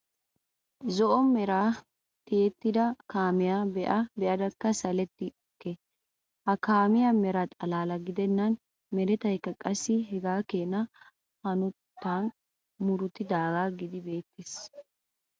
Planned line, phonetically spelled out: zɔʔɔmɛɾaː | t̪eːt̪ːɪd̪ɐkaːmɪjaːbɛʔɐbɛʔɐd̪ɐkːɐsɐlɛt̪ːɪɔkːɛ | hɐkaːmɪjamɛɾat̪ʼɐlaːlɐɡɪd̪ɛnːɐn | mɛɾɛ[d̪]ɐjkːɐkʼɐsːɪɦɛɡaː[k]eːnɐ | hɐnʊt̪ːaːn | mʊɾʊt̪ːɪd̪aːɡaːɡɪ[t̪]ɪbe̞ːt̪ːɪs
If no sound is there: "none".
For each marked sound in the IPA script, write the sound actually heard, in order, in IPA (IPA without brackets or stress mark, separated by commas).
t̪, k, d̪